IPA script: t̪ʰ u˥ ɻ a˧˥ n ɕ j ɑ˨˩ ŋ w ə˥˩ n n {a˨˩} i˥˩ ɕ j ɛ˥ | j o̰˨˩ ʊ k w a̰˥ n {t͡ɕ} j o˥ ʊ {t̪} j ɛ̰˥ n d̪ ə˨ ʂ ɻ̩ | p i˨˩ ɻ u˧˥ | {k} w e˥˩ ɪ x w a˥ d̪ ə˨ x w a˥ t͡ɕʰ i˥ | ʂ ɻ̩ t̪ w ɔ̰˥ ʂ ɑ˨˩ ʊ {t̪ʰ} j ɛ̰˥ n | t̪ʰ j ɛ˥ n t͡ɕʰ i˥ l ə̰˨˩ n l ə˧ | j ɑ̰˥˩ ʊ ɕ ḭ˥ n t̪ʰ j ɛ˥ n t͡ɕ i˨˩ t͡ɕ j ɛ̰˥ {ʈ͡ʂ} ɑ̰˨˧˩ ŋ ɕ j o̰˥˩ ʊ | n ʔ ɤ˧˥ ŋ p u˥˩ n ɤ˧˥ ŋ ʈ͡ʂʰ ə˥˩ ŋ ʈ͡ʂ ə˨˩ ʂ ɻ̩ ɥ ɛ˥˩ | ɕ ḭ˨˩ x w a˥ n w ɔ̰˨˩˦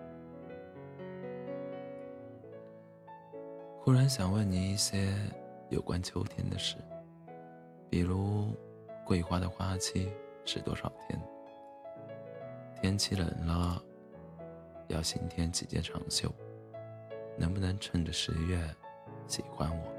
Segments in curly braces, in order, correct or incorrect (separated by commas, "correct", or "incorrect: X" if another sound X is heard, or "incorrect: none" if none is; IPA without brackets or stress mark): incorrect: i˨˩, incorrect: t͡ɕʰ, incorrect: t̪ʰ, correct, correct, incorrect: ʈ͡ʂʰ